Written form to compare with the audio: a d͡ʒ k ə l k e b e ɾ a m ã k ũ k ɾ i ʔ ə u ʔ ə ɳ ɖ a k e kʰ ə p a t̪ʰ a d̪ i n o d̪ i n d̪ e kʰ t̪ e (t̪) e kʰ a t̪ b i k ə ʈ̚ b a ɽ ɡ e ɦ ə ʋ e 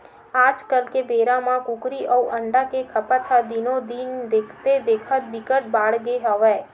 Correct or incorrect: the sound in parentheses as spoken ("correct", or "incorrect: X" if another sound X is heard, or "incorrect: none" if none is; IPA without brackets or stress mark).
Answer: incorrect: d̪